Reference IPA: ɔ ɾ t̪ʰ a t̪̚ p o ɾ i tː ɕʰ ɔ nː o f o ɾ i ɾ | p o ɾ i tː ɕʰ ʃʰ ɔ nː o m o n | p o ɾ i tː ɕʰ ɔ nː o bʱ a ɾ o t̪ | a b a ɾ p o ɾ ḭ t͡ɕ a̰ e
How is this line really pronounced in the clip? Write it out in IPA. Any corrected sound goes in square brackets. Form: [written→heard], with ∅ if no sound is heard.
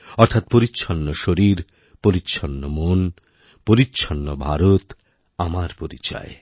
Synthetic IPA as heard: ɔ ɾ t̪ʰ a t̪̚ p o ɾ i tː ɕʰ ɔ nː o [f→ʃ] o ɾ i ɾ | p o ɾ i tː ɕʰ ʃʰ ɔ nː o m o n | p o ɾ i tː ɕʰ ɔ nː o bʱ a ɾ o t̪ | a [b→m] a ɾ p o ɾ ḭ t͡ɕ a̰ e